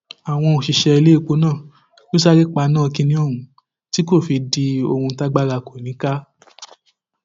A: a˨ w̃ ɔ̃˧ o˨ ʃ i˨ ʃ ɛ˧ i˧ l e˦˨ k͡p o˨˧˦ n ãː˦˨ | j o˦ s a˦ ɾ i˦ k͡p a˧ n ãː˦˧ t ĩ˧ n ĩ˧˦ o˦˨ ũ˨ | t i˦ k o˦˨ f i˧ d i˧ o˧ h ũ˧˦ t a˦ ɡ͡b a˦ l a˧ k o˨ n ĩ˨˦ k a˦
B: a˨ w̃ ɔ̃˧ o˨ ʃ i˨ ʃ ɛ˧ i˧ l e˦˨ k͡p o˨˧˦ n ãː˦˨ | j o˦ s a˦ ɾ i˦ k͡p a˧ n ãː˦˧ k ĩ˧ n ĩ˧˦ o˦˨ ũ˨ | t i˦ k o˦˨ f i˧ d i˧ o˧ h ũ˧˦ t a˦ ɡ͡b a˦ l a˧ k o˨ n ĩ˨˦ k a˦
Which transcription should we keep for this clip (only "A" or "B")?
B